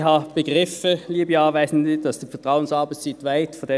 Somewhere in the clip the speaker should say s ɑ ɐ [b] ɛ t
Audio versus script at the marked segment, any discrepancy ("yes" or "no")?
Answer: no